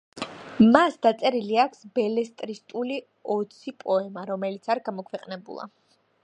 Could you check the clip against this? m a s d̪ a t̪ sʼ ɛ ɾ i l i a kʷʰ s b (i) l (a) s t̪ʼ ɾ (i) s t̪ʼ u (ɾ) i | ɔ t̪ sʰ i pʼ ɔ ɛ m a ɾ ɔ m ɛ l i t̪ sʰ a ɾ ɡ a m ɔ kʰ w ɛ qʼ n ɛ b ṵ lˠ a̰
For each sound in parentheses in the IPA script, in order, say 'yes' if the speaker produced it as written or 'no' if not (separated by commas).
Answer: no, no, yes, no